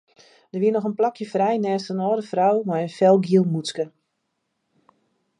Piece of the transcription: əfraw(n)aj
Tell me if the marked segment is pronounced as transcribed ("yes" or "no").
no